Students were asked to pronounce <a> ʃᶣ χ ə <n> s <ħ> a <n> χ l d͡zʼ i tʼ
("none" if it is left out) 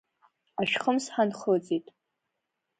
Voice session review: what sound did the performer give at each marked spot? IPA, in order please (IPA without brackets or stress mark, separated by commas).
a, m, ħ, n